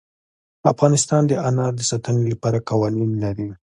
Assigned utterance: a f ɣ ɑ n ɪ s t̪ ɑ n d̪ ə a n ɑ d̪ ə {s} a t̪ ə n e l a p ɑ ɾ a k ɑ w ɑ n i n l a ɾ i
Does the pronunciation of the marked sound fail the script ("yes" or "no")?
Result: no